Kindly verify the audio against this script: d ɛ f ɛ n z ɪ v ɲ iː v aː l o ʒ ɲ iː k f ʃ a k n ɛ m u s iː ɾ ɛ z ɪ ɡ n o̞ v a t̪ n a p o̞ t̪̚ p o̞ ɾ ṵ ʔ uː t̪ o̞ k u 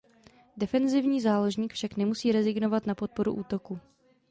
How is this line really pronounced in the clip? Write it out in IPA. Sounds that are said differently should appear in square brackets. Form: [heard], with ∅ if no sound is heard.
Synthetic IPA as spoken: d ɛ f ɛ n z ɪ v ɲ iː [z] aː l o ʒ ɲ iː k f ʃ a k n ɛ m u s iː ɾ ɛ z ɪ ɡ n o̞ v a t̪ n a p o̞ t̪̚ p o̞ ɾ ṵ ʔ uː t̪ o̞ k u